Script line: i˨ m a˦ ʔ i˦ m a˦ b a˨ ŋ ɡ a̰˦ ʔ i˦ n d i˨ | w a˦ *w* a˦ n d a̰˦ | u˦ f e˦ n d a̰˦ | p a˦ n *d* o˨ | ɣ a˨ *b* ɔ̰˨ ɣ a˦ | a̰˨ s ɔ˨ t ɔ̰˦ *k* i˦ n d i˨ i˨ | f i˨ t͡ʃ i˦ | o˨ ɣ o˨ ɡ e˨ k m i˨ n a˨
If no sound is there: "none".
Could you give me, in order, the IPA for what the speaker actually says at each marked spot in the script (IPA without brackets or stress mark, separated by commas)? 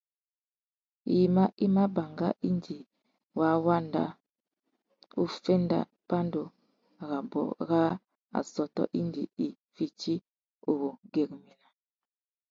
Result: w, d, b, ʔ